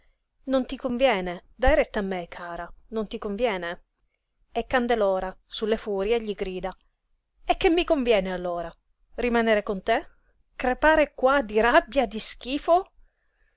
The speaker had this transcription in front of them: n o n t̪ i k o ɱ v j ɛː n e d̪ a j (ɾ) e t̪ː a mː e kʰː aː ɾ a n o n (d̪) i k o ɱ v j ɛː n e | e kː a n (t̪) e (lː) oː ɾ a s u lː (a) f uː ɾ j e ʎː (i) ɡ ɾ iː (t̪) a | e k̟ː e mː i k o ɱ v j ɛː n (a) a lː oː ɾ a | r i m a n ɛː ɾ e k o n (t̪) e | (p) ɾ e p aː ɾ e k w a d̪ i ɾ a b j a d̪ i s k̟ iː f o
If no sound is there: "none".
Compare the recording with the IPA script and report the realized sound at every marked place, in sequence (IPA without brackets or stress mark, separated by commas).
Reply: ɾ, t̪, d̪, l, e, i, d̪, e, t̪, k